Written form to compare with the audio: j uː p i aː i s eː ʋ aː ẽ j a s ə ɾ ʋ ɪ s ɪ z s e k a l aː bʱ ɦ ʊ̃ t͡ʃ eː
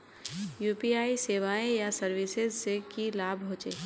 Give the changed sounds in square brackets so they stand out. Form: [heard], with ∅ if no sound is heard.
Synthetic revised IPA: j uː p i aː i s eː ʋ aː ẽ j a s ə ɾ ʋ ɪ s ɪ z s e k [i] l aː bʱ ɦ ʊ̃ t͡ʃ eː